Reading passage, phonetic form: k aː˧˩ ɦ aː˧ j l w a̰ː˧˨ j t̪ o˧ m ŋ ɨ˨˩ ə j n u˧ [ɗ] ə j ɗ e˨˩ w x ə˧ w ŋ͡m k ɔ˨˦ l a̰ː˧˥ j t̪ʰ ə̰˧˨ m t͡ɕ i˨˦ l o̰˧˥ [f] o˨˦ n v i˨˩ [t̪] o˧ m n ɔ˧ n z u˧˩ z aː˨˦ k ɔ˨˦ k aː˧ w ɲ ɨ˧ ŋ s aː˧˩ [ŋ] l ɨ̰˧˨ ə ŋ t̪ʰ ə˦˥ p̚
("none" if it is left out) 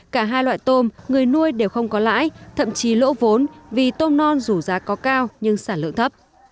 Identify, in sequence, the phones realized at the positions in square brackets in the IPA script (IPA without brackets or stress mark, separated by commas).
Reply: none, v, t̪, n